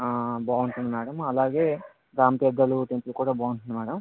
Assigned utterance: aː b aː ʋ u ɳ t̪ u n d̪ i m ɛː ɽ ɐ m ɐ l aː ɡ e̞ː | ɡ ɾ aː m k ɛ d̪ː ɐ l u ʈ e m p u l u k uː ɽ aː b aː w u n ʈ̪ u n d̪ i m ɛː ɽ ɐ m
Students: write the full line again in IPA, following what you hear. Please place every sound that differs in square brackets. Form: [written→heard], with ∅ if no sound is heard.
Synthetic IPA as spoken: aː b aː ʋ u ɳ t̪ u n d̪ i m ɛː ɽ ɐ m ɐ l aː ɡ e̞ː | ɡ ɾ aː m [k→p] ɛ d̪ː ɐ l u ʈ e m p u l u k uː ɽ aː b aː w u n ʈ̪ u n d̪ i m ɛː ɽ ɐ m